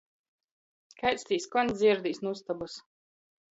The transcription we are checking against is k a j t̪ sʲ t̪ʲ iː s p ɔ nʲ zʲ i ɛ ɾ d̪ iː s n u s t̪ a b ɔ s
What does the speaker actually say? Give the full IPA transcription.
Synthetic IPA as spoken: k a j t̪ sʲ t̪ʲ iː s k ɔ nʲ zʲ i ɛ ɾ d̪ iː s n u s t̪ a b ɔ s